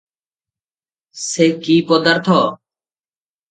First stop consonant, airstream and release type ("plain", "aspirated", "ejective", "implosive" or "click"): plain